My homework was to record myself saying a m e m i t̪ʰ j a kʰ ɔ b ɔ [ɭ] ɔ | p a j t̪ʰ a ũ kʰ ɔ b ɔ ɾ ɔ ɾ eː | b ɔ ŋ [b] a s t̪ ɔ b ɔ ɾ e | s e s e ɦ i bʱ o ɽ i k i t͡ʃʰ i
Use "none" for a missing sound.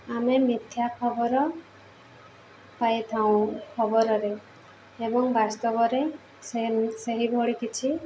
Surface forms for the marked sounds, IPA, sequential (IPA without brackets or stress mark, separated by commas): ɾ, b